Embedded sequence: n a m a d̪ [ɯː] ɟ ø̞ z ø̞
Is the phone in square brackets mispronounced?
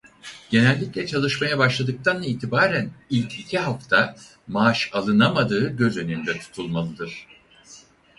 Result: no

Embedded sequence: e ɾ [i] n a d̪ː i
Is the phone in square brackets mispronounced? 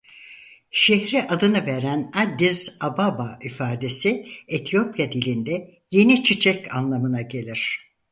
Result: yes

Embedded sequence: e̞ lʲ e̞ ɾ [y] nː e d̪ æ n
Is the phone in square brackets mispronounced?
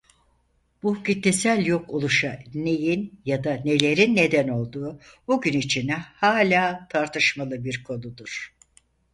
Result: yes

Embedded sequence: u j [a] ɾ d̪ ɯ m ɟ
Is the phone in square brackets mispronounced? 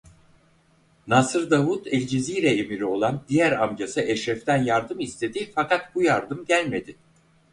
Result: no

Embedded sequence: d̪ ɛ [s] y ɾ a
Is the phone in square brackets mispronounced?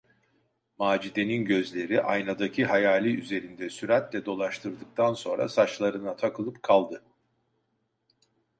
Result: no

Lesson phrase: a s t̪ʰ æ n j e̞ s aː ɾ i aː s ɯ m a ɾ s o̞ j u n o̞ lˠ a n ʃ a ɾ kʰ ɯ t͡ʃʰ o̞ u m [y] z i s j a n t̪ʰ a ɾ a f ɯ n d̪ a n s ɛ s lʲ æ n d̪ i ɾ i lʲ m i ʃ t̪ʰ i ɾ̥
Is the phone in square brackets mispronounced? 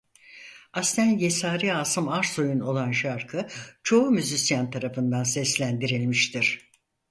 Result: no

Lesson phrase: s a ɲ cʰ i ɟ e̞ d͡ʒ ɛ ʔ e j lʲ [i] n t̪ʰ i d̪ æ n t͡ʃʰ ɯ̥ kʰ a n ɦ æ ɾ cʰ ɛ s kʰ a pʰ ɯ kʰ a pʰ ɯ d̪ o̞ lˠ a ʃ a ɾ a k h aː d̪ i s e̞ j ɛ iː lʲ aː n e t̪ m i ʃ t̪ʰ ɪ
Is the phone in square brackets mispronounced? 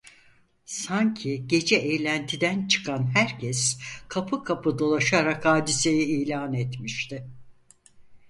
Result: yes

